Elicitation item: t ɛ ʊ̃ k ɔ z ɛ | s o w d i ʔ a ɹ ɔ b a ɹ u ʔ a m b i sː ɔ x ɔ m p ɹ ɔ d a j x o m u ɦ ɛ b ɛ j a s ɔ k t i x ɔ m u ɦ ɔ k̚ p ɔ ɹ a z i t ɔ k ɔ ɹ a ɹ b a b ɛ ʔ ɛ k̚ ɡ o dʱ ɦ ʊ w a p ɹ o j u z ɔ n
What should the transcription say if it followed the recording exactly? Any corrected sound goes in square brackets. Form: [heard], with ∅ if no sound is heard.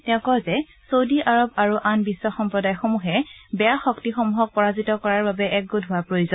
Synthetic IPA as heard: t ɛ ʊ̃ k ɔ z ɛ | s o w d i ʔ a ɹ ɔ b a ɹ u ʔ a [n] b i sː ɔ x ɔ m p ɹ ɔ d a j x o m u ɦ ɛ b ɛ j a [x] ɔ k t i x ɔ m u ɦ ɔ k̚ p ɔ ɹ a z i t ɔ k ɔ ɹ a ɹ b a b ɛ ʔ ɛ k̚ ɡ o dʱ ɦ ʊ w a p ɹ o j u z ɔ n